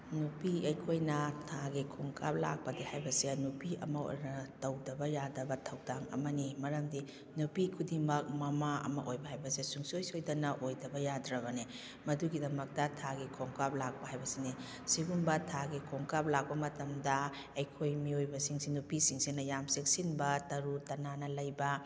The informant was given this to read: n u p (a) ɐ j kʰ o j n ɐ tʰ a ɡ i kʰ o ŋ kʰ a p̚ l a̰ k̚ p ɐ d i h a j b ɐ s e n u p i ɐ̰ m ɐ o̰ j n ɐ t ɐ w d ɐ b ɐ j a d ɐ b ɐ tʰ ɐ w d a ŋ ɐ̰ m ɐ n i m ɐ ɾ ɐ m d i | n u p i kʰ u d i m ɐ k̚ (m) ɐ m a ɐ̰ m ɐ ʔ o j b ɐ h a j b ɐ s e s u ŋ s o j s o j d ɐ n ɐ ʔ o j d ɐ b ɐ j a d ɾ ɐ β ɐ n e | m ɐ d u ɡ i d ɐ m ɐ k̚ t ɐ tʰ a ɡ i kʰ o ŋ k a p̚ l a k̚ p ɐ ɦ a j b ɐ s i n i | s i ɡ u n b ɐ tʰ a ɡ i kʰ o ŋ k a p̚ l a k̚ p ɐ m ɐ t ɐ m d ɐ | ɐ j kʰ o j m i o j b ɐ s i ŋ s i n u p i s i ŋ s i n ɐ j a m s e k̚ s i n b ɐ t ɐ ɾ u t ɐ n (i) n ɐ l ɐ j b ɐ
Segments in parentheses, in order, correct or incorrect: incorrect, correct, incorrect

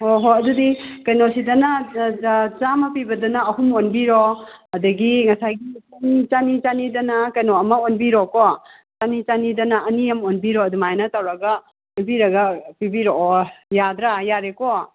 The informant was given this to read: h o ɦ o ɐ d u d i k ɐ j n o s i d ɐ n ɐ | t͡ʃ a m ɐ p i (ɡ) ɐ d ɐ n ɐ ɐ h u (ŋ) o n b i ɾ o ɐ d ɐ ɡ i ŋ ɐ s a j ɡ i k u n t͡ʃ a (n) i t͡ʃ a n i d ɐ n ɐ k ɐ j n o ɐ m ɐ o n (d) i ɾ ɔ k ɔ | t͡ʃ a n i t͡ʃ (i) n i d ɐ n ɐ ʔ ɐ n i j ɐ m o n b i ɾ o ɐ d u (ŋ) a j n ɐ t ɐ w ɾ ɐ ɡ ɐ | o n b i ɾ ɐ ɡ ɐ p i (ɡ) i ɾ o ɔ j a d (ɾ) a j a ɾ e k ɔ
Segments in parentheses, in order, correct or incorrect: incorrect, incorrect, correct, incorrect, incorrect, incorrect, incorrect, correct

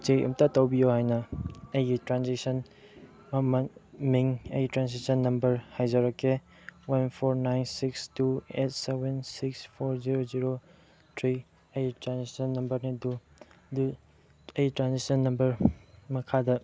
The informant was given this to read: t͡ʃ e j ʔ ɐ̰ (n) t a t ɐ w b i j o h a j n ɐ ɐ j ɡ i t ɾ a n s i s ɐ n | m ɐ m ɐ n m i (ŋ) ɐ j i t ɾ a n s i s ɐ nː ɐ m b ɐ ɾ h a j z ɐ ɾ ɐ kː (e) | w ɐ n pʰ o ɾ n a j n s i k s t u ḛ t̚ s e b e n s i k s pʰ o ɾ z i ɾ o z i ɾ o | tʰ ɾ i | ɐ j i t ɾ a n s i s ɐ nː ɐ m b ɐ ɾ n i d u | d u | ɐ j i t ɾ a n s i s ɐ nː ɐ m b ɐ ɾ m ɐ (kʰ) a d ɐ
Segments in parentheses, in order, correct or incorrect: incorrect, correct, correct, correct

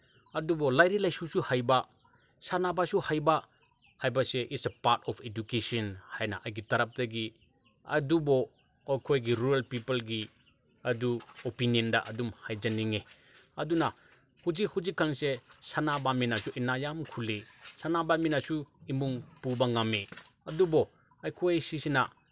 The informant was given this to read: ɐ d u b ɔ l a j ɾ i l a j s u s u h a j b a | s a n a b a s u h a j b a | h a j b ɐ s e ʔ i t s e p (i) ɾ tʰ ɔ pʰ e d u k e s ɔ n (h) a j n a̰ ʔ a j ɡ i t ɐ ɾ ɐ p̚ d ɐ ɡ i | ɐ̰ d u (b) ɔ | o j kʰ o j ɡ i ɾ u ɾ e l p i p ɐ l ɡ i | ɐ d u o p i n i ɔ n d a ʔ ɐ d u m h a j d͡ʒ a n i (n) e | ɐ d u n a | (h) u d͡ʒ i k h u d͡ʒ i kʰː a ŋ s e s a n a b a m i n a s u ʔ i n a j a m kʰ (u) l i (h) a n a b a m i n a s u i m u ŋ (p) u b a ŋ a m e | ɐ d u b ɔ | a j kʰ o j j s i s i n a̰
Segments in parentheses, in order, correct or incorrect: incorrect, correct, correct, incorrect, correct, correct, incorrect, correct

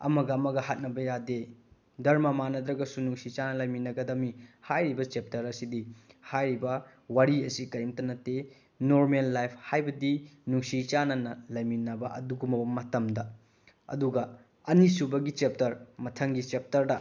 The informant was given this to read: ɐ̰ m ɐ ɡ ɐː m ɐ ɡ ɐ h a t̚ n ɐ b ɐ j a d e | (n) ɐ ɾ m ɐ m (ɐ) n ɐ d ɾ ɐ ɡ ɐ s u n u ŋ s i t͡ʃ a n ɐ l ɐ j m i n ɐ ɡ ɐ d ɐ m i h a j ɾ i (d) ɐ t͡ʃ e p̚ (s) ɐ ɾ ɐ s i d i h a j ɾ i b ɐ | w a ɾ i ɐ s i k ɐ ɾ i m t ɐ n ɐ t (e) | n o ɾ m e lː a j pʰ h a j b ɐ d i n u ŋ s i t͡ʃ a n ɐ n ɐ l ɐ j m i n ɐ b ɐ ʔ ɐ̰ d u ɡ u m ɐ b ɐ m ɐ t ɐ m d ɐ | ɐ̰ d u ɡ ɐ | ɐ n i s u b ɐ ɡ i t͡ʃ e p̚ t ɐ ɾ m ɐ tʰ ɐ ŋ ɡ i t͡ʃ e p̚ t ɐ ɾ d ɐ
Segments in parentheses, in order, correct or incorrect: incorrect, incorrect, incorrect, incorrect, correct

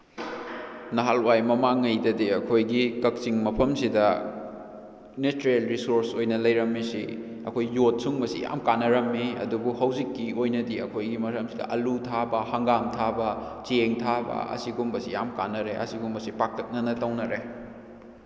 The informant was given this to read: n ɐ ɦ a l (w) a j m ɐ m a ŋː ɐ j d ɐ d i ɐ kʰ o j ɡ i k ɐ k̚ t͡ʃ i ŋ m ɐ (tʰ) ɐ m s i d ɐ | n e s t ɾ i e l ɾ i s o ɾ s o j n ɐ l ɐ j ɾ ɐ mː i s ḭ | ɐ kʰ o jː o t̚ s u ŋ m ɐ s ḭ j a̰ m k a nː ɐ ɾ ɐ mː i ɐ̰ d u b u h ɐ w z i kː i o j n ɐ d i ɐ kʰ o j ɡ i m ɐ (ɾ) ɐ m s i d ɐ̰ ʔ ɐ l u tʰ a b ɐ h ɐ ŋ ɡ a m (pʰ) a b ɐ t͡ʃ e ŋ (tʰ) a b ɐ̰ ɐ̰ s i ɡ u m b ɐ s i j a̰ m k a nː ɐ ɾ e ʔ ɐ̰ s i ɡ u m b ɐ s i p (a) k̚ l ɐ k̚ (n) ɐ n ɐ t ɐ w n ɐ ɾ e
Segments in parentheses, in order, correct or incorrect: correct, incorrect, correct, incorrect, correct, correct, correct

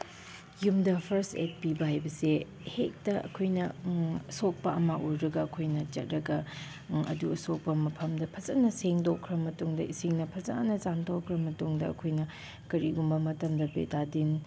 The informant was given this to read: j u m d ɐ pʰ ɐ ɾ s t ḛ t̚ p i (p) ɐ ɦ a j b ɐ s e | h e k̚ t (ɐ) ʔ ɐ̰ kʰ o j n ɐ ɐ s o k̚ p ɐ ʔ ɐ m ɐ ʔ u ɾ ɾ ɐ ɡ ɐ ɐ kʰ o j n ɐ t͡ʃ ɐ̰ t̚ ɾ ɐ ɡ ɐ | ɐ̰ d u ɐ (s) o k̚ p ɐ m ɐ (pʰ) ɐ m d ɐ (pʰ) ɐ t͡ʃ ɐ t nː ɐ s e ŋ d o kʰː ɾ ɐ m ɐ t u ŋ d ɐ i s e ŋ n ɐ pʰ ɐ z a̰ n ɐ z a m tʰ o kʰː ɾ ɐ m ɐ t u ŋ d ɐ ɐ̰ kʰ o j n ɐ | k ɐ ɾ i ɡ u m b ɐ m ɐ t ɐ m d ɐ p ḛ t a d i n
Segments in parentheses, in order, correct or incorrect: incorrect, correct, correct, correct, correct

